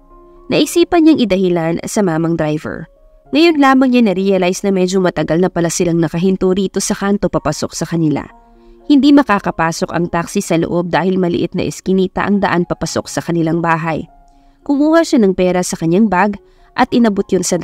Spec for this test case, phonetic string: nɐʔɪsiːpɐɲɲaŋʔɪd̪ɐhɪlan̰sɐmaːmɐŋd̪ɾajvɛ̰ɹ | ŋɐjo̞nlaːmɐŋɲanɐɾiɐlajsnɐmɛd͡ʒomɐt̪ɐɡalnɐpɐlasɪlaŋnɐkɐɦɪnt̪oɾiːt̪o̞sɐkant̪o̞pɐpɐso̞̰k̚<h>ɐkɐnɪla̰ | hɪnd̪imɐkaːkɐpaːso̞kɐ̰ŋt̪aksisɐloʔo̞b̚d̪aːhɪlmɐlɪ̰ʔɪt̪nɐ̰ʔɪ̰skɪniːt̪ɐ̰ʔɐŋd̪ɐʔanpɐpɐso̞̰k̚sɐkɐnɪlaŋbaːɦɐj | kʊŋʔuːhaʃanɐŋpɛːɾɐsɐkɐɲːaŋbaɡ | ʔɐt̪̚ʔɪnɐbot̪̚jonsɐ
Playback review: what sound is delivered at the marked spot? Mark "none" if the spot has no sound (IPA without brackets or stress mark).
s